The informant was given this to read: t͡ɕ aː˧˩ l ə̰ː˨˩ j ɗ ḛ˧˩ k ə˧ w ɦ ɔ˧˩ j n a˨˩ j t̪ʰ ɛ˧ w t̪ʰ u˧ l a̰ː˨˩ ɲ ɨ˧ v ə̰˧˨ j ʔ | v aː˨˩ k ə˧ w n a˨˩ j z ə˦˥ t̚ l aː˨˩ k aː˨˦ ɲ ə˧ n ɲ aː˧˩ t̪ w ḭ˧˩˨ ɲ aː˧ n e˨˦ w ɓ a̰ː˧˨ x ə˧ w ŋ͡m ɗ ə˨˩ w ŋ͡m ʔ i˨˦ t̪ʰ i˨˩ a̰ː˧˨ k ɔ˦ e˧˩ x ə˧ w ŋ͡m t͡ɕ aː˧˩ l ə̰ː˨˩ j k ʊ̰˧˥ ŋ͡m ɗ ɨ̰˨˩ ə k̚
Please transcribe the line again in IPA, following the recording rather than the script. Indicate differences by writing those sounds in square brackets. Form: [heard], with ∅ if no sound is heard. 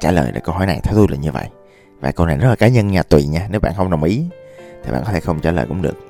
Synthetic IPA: t͡ɕ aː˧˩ l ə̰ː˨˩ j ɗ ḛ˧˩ k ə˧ w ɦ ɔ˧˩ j n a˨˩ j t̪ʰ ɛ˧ w [t̪] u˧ l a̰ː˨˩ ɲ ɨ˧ v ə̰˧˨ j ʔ | v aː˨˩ k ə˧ w n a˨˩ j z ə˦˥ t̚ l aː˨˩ k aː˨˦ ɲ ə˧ n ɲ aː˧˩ t̪ w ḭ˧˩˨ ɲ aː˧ n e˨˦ w ɓ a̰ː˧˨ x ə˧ w ŋ͡m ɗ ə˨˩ w ŋ͡m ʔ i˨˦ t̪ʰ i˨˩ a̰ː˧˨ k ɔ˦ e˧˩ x ə˧ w ŋ͡m t͡ɕ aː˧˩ l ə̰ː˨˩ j k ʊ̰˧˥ ŋ͡m ɗ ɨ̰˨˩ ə k̚